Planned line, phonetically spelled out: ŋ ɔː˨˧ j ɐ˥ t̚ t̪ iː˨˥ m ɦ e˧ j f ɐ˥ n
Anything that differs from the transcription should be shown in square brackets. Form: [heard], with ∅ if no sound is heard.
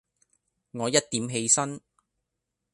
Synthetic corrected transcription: ŋ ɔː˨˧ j ɐ˥ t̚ t̪ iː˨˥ m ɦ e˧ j [s] ɐ˥ n